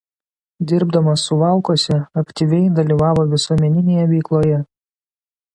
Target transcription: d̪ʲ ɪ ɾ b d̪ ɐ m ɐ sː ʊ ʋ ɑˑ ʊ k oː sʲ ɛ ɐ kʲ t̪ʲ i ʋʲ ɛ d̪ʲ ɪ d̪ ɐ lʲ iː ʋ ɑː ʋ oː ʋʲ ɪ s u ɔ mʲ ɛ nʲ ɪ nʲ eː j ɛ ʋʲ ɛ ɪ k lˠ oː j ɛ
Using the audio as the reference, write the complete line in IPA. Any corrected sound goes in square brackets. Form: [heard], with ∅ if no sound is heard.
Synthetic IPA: d̪ʲ ɪ ɾ b d̪ ɐ m ɐ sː ʊ ʋ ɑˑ ʊ k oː sʲ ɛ ɐ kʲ t̪ʲ i ʋʲ ɛ [∅] ɪ d̪ ɐ lʲ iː ʋ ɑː ʋ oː ʋʲ ɪ s u ɔ mʲ ɛ nʲ ɪ nʲ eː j ɛ ʋʲ ɛ ɪ k lˠ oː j ɛ